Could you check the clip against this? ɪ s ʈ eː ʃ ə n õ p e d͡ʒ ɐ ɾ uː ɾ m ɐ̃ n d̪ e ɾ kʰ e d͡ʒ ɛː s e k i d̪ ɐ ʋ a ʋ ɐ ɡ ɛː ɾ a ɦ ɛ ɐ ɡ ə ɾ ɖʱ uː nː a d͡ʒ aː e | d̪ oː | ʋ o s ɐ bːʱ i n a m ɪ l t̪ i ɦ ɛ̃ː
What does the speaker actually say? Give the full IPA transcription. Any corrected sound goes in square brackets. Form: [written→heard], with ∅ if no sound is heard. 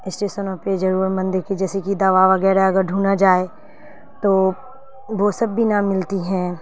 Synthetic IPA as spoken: ɪ s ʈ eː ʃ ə n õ p e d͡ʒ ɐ ɾ uː ɾ m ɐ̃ n d̪ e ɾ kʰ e d͡ʒ ɛː s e k i d̪ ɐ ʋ a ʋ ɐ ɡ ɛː ɾ a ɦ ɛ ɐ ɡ ə ɾ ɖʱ uː [nː→n] a d͡ʒ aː e | [d̪→t̪] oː | ʋ o s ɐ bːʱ i n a m ɪ l t̪ i ɦ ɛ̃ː